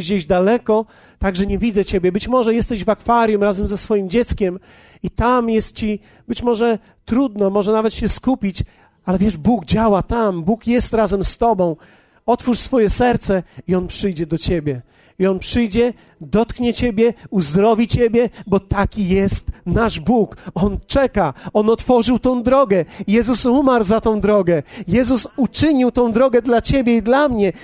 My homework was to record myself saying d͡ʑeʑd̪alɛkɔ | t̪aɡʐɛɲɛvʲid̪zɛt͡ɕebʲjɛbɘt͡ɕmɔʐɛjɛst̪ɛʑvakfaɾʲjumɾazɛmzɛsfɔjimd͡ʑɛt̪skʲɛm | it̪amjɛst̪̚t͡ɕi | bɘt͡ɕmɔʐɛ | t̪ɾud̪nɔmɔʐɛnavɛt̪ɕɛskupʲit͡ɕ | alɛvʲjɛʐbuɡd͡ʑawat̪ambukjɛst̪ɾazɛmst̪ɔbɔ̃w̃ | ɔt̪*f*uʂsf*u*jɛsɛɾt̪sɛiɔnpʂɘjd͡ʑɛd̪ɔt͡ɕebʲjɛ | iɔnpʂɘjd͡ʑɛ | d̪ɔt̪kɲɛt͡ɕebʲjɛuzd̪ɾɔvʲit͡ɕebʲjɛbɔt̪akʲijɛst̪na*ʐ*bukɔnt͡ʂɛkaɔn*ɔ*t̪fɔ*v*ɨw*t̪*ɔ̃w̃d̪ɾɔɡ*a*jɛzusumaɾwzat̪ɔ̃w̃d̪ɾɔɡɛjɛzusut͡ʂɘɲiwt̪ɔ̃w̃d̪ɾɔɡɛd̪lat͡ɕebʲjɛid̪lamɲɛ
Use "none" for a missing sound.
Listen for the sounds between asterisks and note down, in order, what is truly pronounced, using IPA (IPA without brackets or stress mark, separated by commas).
f, ɔ, ʐ, ɔ, ʐ, t̪, ɛ